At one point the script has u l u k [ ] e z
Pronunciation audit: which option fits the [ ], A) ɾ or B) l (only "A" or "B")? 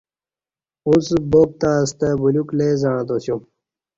B